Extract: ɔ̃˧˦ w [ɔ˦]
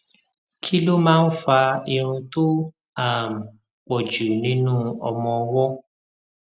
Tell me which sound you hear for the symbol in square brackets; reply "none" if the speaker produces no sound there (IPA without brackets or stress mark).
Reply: ɔ˦